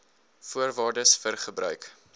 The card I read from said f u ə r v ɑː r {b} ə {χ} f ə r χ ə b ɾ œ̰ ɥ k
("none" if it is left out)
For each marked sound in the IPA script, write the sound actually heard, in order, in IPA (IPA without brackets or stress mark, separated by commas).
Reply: d, s